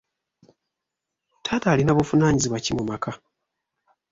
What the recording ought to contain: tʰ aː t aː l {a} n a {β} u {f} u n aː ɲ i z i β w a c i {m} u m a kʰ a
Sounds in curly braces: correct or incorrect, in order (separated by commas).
incorrect, correct, correct, correct